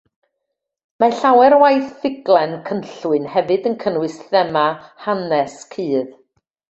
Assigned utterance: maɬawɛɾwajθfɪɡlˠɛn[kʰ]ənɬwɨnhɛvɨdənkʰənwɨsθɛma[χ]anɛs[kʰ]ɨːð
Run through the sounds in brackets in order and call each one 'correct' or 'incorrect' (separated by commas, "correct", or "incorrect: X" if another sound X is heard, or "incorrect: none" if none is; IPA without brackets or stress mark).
correct, incorrect: h, correct